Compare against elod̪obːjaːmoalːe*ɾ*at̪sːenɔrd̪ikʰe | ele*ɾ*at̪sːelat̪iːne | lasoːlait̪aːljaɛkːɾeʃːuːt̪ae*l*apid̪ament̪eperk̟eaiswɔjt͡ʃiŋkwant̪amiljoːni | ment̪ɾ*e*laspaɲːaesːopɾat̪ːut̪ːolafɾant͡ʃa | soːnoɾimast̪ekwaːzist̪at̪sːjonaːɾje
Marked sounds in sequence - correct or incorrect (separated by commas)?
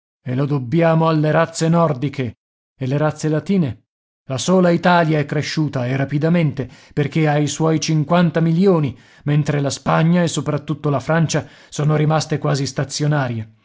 correct, correct, incorrect, correct